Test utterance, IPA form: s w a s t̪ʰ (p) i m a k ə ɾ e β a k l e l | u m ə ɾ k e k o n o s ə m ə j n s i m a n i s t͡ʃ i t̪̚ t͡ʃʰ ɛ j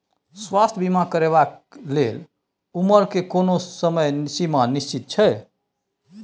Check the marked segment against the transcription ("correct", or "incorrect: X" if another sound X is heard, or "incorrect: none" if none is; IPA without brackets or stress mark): incorrect: b